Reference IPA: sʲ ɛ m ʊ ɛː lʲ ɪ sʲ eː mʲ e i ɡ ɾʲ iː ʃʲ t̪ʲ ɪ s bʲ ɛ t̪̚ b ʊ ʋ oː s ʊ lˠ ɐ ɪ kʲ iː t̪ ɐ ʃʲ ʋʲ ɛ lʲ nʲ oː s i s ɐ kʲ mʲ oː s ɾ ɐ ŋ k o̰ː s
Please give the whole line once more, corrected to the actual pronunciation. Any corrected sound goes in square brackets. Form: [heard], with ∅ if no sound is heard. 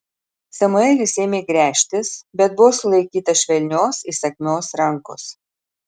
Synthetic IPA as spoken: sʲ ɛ m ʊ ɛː lʲ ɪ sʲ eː mʲ e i ɡ ɾʲ [æː] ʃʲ t̪ʲ ɪ s bʲ ɛ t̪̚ b ʊ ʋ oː s ʊ lˠ ɐ ɪ kʲ iː t̪ ɐ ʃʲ ʋʲ ɛ lʲ nʲ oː s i s ɐ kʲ mʲ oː s ɾ ɐ ŋ k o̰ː s